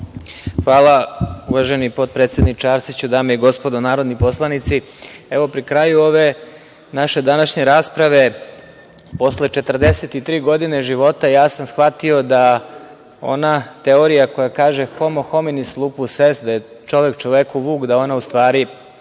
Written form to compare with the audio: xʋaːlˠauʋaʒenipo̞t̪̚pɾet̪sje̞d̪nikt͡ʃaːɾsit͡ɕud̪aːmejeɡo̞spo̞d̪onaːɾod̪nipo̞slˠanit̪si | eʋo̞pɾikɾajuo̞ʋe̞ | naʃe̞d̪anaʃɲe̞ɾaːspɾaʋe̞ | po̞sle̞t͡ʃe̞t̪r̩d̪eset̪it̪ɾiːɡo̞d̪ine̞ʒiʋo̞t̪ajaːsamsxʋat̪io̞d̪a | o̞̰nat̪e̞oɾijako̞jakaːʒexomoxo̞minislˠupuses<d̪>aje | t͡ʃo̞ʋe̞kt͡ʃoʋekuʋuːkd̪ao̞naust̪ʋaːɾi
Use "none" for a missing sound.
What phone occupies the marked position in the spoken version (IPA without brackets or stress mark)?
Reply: d̪